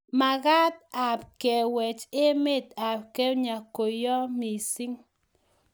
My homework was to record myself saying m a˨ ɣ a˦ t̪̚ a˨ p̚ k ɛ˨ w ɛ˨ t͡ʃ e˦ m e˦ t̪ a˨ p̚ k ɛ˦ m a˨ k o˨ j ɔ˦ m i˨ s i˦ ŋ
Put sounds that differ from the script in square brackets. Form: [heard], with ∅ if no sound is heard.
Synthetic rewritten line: m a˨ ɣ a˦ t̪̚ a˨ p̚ k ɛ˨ w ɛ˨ t͡ʃ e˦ m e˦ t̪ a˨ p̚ k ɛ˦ [ɲ] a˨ k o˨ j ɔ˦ m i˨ s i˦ ŋ